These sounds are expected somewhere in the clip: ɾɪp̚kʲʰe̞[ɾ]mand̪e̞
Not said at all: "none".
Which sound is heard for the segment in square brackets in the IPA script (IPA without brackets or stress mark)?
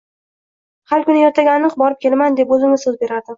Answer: l